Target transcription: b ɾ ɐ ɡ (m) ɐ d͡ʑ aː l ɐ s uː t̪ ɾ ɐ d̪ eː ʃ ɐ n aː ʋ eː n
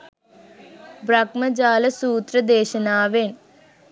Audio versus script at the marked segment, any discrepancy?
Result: no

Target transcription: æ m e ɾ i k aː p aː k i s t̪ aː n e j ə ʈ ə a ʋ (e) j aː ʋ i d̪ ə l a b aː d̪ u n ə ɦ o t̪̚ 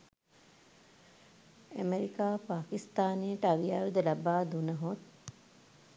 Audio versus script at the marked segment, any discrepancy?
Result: yes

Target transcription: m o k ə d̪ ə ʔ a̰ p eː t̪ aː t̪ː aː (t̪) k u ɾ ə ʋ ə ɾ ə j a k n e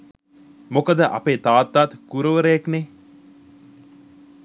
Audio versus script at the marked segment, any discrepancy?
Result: no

